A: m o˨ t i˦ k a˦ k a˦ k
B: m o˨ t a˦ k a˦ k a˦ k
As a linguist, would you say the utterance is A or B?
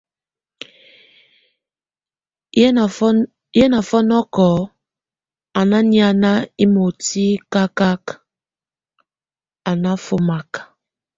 A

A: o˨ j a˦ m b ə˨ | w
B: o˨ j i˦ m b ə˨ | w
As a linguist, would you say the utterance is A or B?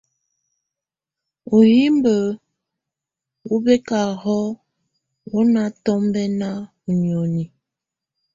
B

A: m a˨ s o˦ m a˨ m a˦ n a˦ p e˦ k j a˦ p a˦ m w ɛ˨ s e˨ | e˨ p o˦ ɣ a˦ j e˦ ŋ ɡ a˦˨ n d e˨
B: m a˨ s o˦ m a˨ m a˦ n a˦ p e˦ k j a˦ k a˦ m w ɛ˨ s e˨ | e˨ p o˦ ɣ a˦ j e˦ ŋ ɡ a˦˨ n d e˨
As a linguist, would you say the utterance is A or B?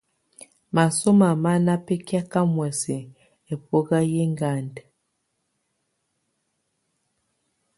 B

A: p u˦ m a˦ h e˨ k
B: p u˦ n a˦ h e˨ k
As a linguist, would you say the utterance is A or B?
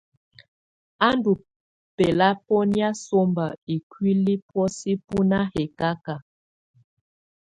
B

